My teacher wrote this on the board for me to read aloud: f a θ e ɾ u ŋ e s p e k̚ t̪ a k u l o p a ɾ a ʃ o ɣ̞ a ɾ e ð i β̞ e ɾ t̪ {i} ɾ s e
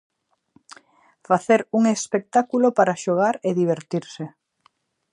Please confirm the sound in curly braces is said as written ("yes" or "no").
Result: yes